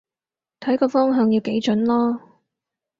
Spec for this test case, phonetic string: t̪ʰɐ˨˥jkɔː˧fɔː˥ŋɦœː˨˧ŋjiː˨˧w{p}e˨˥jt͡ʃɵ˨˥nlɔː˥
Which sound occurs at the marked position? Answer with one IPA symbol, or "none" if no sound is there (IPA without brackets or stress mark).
k